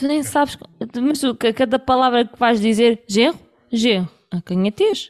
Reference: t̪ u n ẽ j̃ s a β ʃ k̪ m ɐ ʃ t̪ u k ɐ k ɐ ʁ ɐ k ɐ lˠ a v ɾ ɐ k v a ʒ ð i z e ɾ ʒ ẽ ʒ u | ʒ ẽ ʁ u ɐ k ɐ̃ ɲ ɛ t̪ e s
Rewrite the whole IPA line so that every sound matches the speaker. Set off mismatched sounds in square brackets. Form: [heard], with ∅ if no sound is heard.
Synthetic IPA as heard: t̪ u n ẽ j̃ s a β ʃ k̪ m ɐ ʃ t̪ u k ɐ k ɐ [ð] ɐ [p] ɐ lˠ a v ɾ ɐ k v a ʒ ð i z e ɾ ʒ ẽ [ʁ] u | ʒ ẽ ʁ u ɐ k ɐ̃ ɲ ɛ t̪ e [ʃ]